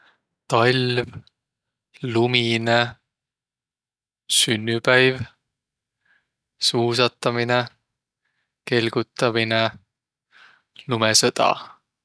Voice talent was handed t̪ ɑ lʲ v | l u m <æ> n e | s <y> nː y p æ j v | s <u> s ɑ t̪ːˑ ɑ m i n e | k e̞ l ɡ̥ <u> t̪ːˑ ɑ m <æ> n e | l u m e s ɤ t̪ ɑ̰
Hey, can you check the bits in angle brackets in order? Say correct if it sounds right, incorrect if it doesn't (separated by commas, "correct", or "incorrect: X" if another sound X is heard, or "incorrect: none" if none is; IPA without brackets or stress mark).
incorrect: i, correct, incorrect: uː, correct, incorrect: i